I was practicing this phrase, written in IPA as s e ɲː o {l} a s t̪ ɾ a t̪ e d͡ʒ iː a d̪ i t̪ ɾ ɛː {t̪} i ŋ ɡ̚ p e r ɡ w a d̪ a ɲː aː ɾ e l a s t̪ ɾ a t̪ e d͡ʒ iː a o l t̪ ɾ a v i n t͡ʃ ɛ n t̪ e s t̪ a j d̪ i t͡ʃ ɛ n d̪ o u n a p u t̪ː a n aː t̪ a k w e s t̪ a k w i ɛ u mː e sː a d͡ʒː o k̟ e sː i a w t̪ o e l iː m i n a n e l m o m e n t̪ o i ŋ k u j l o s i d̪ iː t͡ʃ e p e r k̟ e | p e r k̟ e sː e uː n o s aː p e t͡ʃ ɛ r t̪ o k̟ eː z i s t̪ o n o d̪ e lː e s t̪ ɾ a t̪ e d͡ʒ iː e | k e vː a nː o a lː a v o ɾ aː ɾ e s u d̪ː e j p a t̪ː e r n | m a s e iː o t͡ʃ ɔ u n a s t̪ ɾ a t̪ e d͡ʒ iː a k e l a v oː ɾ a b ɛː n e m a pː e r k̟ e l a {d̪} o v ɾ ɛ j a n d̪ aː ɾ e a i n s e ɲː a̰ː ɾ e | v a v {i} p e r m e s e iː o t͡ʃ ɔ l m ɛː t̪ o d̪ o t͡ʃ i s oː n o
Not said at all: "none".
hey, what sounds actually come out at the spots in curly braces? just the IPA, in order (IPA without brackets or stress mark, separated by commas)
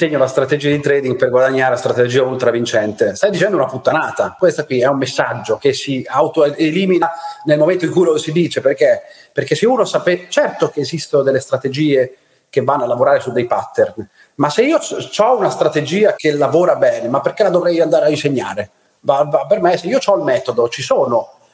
l, d̪, d̪, a